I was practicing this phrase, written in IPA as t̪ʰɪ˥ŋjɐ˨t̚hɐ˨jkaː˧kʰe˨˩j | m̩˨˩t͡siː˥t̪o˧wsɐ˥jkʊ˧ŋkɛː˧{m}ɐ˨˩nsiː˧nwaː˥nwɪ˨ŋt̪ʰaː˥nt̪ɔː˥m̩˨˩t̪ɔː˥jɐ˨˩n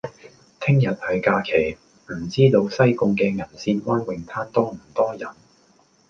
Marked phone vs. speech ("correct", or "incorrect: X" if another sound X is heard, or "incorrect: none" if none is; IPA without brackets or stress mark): incorrect: ŋ